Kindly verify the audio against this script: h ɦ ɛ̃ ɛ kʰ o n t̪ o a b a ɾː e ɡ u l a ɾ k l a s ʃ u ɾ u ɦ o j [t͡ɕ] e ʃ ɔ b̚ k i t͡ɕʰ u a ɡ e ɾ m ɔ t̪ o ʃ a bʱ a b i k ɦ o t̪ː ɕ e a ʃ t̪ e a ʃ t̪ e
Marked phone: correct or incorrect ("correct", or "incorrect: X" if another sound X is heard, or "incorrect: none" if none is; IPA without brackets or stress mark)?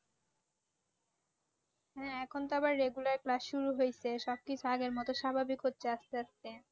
incorrect: t͡ɕʰ